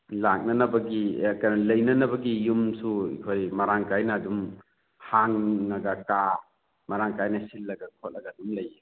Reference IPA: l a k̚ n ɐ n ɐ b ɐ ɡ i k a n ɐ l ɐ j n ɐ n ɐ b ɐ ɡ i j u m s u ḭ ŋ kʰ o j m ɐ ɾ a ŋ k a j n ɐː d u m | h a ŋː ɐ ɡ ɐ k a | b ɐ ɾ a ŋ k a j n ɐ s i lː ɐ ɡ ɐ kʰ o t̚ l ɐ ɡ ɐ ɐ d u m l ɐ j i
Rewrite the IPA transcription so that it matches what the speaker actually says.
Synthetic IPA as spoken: l a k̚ n ɐ n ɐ b ɐ ɡ i k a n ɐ l ɐ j n ɐ n ɐ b ɐ ɡ i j u m s u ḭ kʰ o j m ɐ ɾ a ŋ k a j n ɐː d u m | h a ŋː ɐ ɡ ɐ k a | m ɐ ɾ a ŋ k a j n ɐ s i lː ɐ ɡ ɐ kʰ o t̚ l ɐ ɡ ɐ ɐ d u m l ɐ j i